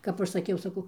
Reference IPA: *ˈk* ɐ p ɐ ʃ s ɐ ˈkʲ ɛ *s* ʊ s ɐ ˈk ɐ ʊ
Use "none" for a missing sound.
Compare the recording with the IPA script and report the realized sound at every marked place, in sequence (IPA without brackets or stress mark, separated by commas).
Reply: k, none